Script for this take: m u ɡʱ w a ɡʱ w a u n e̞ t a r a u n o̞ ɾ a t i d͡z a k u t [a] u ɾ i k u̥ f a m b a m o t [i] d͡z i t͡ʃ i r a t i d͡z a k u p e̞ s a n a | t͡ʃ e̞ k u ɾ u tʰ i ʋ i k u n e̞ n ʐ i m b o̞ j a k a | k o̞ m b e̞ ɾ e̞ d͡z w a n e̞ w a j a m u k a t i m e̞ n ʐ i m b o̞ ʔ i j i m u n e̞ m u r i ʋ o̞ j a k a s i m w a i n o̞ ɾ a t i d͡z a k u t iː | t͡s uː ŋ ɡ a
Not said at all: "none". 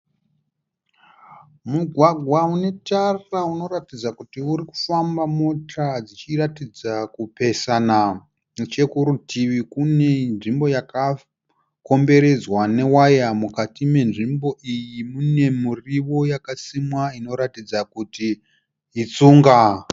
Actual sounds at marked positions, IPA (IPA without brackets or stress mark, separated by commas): i, a